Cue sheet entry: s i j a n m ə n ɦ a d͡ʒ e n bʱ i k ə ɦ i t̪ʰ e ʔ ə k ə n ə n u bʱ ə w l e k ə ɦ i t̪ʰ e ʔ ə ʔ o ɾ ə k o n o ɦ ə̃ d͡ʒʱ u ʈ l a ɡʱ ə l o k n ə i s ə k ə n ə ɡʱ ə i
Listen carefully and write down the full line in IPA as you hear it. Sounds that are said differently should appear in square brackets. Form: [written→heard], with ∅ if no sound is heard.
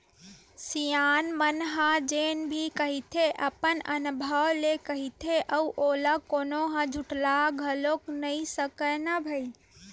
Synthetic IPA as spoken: s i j a n m ə n ɦ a d͡ʒ e n bʱ i k ə ɦ i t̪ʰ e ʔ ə [k→p] ə n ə n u bʱ ə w l e k ə ɦ i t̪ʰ e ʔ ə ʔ o [ɾ→l] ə k o n o ɦ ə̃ d͡ʒʱ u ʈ l a ɡʱ ə l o k n ə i s ə k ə n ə [ɡʱ→bʱ] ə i